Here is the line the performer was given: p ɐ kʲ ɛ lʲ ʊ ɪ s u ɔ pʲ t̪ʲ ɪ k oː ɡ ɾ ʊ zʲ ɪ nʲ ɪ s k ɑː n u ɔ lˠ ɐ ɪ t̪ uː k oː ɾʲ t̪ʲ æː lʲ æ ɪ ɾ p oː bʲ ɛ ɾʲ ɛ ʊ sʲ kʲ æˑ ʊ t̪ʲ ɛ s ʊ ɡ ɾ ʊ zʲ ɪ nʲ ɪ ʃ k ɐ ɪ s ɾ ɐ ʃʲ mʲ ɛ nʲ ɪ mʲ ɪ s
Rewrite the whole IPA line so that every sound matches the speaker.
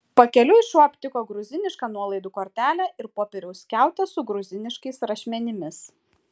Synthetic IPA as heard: p ɐ kʲ ɛ lʲ ʊ ɪ ʃ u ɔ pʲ t̪ʲ ɪ k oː ɡ ɾ ʊ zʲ ɪ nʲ ɪ ʃ k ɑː n u ɔ lˠ ɐ ɪ d̪ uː k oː ɾʲ t̪ʲ æː lʲ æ ɪ ɾ p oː pʲ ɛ ɾʲ ɛ ʊ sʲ kʲ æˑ ʊ t̪ʲ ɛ s ʊ ɡ ɾ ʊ zʲ ɪ nʲ ɪ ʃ k ɐ ɪ s ɾ ɐ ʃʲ mʲ ɛ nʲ ɪ mʲ ɪ s